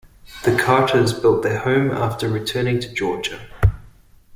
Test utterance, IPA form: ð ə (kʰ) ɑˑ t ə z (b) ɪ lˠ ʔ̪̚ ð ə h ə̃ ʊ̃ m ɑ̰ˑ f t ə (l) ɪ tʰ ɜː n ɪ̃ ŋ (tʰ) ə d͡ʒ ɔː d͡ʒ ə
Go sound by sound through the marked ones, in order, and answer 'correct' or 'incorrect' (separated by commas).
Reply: correct, correct, incorrect, correct